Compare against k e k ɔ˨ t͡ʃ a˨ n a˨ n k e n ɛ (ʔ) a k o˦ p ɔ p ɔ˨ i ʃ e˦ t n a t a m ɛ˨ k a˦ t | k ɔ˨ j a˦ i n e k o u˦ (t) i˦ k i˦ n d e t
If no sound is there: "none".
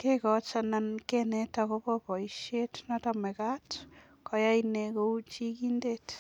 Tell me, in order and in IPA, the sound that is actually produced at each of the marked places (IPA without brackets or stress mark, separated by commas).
t, t͡ʃ